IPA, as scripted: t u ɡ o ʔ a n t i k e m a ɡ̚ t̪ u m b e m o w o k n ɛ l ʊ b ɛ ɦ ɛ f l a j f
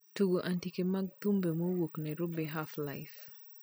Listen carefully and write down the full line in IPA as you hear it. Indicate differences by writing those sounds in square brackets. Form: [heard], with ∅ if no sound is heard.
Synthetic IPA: t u ɡ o ʔ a n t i k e m a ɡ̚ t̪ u m b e m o w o k n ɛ [ɾ] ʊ b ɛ ɦ [a] f l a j f